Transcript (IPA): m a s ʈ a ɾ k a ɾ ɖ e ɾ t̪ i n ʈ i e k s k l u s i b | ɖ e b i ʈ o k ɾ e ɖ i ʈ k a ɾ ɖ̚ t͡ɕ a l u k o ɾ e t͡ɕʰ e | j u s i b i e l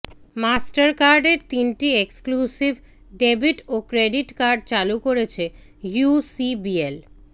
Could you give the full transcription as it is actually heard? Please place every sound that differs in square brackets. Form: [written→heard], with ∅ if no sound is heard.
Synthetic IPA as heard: m a s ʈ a ɾ k a ɾ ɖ e ɾ t̪ i n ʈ i e k s k l u s i b | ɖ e b i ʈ o k ɾ e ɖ i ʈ k a ɾ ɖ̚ t͡ɕ a l u k o ɾ e t͡ɕʰ e | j u s i b i e l